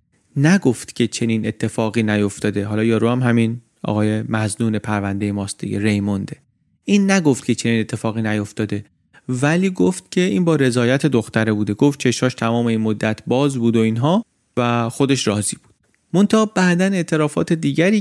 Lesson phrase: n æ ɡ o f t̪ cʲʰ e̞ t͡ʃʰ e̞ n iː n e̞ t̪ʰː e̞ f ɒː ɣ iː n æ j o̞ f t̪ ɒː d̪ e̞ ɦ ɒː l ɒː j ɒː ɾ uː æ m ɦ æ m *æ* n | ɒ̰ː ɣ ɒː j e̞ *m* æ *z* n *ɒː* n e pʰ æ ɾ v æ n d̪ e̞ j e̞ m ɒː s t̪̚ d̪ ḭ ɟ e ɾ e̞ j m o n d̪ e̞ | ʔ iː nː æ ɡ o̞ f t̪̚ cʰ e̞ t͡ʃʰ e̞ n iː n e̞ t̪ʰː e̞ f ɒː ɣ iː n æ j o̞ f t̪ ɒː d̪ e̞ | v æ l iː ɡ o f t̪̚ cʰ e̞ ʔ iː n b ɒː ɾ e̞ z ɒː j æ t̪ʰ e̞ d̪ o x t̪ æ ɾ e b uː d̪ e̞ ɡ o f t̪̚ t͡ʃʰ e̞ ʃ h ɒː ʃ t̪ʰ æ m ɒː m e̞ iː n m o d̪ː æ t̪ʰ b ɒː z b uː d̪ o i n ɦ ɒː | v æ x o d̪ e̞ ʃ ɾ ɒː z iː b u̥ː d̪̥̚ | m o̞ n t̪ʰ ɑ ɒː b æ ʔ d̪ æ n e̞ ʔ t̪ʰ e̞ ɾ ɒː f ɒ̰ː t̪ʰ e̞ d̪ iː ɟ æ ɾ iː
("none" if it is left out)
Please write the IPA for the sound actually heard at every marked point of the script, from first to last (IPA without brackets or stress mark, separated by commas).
i, m, z, uː